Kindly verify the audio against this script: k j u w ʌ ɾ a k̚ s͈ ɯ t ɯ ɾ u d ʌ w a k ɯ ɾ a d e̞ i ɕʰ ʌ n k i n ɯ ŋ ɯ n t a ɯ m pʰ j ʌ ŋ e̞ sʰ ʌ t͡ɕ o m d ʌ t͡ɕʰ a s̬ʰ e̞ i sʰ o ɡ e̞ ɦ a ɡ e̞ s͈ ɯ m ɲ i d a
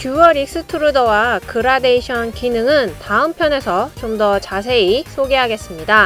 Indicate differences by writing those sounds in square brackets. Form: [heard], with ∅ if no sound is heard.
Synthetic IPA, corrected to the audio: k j u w ʌ ɾ [i] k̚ s͈ ɯ [tʰ] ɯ ɾ u d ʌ w a k ɯ ɾ a d e̞ i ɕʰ ʌ n k i n ɯ ŋ ɯ n t a ɯ m pʰ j ʌ [n] e̞ sʰ ʌ t͡ɕ o m d ʌ [t͡ɕ] a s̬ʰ e̞ i sʰ o ɡ e̞ ɦ a ɡ e̞ s͈ ɯ m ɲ i d a